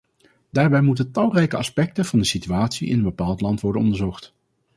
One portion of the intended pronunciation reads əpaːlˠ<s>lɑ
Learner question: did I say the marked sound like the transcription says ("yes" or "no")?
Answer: no